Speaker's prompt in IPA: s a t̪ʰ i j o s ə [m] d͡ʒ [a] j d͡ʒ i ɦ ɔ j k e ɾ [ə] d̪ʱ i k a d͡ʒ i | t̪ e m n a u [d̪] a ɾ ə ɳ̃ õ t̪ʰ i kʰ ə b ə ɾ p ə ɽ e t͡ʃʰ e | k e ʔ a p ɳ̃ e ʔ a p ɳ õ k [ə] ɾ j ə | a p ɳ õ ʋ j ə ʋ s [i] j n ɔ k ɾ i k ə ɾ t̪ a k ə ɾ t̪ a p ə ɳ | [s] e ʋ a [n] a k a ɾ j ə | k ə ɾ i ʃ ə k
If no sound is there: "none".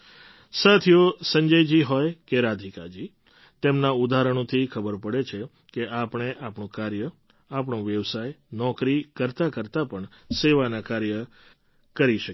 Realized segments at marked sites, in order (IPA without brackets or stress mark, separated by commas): ɲ, ə, a, d̪, a, a, s, n